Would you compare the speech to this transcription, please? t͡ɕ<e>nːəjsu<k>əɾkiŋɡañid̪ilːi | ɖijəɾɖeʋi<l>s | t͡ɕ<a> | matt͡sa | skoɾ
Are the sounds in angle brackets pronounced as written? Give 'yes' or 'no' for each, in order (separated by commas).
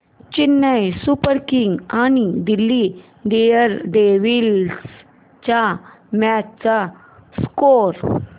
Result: no, no, yes, yes